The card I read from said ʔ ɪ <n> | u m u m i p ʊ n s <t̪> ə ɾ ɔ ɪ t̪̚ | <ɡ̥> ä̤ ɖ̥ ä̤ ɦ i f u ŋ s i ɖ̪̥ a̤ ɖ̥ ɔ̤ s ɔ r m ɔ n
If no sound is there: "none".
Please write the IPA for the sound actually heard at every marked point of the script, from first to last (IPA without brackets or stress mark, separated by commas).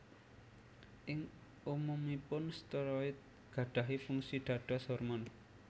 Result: ŋ, t̪, ɡ̥